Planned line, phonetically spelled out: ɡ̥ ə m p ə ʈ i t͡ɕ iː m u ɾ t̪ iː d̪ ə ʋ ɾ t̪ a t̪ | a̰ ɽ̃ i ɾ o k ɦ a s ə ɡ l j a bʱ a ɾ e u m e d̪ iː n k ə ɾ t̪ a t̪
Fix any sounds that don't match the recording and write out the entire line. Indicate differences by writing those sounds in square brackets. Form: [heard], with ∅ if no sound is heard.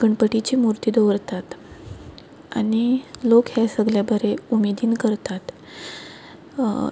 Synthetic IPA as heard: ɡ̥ ə [ɳ] p ə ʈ i t͡ɕ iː m u ɾ t̪ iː d̪ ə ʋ ɾ t̪ a t̪ | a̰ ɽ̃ i [l] o k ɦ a s ə ɡ l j a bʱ [ə] ɾ e u m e d̪ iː n k ə ɾ t̪ a t̪